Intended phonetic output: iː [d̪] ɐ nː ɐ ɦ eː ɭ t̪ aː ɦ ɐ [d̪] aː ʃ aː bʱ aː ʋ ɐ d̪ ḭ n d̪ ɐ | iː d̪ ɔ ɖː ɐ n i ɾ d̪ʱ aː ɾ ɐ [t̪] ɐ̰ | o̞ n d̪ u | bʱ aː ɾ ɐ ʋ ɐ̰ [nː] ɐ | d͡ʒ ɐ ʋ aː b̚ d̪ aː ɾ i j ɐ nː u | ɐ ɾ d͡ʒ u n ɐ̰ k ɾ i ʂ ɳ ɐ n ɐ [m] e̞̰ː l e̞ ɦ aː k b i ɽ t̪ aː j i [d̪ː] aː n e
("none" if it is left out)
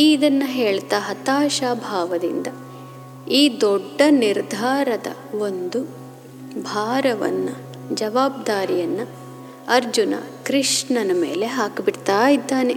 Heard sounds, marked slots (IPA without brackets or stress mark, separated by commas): d̪, t̪, d̪, nː, m, d̪ː